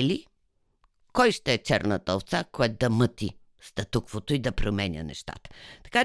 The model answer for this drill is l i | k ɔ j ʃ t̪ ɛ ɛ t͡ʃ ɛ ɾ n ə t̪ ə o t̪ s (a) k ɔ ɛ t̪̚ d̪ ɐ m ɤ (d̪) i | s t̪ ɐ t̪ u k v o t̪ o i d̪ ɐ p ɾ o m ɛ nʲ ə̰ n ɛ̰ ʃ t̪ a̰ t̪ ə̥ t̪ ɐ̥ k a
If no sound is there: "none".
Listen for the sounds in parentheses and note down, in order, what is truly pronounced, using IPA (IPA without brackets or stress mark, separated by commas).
a, t̪